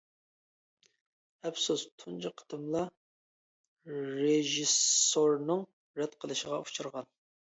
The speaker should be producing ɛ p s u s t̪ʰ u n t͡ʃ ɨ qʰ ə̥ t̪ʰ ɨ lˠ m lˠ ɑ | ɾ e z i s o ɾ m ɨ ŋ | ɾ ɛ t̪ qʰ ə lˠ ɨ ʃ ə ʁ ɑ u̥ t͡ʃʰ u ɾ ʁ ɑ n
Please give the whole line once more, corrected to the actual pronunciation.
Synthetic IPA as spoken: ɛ p s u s t̪ʰ u n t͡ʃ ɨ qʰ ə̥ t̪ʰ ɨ m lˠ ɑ | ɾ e ʒ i s o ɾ n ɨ ŋ | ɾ ɛ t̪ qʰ ə lˠ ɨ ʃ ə ʁ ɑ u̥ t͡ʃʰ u ɾ ʁ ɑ n